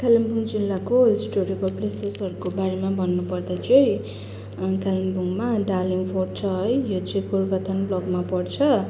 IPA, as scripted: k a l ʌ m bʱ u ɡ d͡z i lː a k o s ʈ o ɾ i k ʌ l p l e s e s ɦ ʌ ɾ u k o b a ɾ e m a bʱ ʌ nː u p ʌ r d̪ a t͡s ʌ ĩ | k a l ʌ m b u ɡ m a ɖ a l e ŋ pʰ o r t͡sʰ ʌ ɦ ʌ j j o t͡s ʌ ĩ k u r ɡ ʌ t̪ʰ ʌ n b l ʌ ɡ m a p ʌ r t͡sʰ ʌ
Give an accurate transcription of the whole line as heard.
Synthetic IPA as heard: k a l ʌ m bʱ u ŋ d͡z i lː a k o s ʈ o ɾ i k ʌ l p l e s e s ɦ ʌ ɾ u k o b a ɾ e m a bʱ ʌ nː u p ʌ r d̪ a t͡s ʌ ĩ | k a l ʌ m b u ŋ m a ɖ a l i ŋ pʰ o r t͡sʰ ʌ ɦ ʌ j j o t͡s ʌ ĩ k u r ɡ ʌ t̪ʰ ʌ n b l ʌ ɡ m a p ʌ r t͡sʰ ʌ

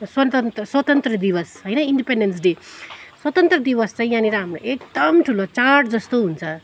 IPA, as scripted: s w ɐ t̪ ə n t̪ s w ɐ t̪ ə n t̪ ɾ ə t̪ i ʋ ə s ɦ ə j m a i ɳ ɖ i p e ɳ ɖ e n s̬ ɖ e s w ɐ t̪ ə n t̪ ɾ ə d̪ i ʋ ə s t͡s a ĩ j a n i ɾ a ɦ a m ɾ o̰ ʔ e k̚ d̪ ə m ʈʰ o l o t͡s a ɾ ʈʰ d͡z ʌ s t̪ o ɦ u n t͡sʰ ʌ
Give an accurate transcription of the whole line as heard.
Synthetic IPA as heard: s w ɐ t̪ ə n t̪ s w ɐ t̪ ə n t̪ ɾ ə d̪ i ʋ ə s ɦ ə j n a i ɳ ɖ i p e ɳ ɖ e n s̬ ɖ e s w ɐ t̪ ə n t̪ ɾ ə d̪ i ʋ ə s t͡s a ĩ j a n i ɾ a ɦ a m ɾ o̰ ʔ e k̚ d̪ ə m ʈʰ u l o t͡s a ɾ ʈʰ d͡z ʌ s t̪ o ɦ u n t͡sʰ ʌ

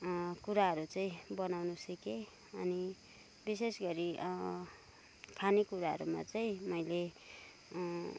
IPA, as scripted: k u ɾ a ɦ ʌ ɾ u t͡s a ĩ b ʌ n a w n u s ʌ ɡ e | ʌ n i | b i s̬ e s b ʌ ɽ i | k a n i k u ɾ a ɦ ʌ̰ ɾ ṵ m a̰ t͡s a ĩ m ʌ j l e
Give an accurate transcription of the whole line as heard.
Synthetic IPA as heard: k u ɾ a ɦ ʌ ɾ u t͡s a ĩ b ʌ n a w n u s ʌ k e | ʌ n i | b i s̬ e s ɡ ʌ ɾ i | kʰ a n i k u ɾ a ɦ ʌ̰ ɾ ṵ m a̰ t͡s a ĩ m ʌ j l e

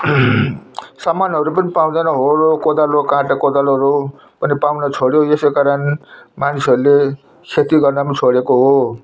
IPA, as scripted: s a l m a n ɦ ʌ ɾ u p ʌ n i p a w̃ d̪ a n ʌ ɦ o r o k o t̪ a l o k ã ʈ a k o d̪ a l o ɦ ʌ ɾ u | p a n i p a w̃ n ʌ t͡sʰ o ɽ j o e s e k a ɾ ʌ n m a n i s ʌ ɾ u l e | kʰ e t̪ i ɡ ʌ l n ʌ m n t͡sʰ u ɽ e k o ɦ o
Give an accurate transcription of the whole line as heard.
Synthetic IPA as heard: s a m a n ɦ ʌ ɾ u p ʌ n i p a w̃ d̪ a n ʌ ɦ o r o k o d̪ a l o k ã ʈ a k o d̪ a l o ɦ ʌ ɾ u | p ʌ n i p a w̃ n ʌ t͡sʰ o ɽ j o e s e k a ɾ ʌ n m a n i s ʌ ɾ u l e | kʰ e t̪ i ɡ ʌ r n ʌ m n t͡sʰ o ɽ e k o ɦ o

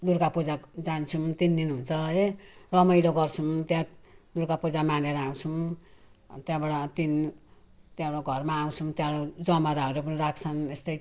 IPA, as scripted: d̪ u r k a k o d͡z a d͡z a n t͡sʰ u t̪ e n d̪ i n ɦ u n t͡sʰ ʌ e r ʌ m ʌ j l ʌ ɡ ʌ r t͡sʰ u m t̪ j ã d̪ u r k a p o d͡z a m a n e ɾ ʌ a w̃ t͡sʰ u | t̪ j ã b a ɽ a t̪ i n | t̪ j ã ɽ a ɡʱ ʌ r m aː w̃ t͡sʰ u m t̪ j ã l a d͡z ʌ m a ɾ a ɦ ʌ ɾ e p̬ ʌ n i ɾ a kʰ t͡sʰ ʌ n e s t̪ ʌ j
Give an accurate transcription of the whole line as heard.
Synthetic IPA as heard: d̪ u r k a p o d͡z a d͡z a n t͡sʰ u t̪ i n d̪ i n ɦ u n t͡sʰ ʌ e r ʌ m ʌ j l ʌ ɡ ʌ r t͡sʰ u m t̪ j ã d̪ u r k a p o d͡z a m a n e ɾ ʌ a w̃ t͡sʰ u | t̪ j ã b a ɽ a t̪ i n | t̪ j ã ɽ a ɡʱ ʌ r m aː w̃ t͡sʰ u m t̪ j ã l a d͡z ʌ m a ɾ a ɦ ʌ ɾ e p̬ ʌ n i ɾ a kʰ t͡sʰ ʌ n e s t̪ ʌ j

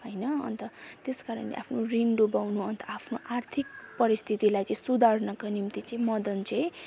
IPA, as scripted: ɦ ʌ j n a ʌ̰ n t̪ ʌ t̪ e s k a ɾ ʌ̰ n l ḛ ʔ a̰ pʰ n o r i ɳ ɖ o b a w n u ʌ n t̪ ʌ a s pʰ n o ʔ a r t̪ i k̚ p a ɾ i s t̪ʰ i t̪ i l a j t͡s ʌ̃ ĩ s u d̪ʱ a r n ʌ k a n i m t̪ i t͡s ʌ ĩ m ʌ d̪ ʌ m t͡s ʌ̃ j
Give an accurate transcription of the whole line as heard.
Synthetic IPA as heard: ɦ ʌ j n ʌ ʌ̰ n t̪ ʌ t̪ e s k a ɾ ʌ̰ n l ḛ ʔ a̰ pʰ n o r i ɳ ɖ o b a w n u ʌ n t̪ ʌ a pʰ n o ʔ a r t̪ʰ i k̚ p ʌ ɾ i s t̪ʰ i t̪ i l a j t͡s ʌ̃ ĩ s u d̪ʱ a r n ʌ k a n i m t̪ i t͡s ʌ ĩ m ʌ d̪ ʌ n t͡s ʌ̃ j

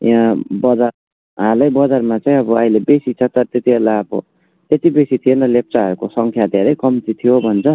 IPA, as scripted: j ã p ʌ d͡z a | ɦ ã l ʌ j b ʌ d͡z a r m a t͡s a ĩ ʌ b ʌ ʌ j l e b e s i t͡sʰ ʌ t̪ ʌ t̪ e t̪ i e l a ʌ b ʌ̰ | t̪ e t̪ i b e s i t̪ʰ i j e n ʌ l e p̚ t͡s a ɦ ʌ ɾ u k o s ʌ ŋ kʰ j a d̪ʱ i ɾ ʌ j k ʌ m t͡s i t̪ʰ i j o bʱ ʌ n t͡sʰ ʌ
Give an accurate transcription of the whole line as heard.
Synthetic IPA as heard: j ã b ʌ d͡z a | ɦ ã l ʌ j b ʌ d͡z a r m a t͡s a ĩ ʌ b ʌ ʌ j l e b e s i t͡sʰ ʌ t̪ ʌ t̪ e t̪ i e l a ʌ b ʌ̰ | t̪ e t̪ i b e s i t̪ʰ i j e n ʌ l e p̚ t͡s a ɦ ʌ ɾ u k o s ʌ ŋ kʰ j a d̪ʱ e ɾ ʌ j k ʌ m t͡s i t̪ʰ i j o bʱ ʌ n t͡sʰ ʌ

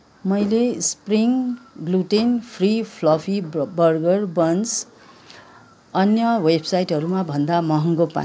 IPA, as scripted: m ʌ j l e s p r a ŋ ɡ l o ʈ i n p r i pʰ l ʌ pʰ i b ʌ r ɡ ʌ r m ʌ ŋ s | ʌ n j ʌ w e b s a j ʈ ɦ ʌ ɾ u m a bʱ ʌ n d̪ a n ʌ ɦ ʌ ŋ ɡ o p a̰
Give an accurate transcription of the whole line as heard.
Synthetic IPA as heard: m ʌ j l e s p r i ŋ ɡ l u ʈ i n pʰ r i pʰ l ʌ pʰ i b ʌ r ɡ ʌ r b ʌ n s | ʌ n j ʌ w e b s a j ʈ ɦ ʌ ɾ u m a bʱ ʌ n d̪ a m ʌ ɦ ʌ ŋ ɡ o p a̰

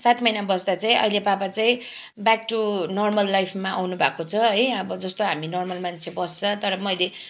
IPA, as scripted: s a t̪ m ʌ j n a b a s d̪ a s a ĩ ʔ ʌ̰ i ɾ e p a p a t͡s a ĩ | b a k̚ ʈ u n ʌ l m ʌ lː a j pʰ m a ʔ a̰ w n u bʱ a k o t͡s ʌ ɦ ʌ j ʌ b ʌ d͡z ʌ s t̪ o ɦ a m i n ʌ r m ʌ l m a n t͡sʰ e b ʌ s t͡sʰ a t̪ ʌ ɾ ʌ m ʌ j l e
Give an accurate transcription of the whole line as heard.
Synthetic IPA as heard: s a t̪ m ʌ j n a b ʌ s d̪ a t͡s a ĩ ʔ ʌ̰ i l e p a p a t͡s a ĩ | b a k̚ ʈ u n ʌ r m ʌ lː a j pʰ m a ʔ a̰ w n u bʱ a k o t͡sʰ ʌ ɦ ʌ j ʌ b ʌ d͡z ʌ s t̪ o ɦ a m i n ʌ r m ʌ l m a n t͡sʰ e b ʌ s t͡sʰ ʌ t̪ ʌ ɾ ʌ m ʌ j l e

